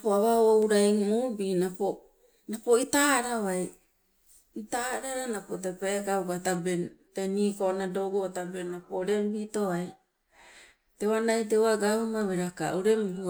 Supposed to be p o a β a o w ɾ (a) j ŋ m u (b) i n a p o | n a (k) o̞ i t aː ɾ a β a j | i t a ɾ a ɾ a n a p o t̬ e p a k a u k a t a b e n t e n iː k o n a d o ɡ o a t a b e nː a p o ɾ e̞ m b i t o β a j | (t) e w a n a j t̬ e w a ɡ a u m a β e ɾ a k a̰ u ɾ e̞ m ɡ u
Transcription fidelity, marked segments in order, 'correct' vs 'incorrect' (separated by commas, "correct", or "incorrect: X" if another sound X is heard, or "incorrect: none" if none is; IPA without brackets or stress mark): correct, correct, incorrect: p, correct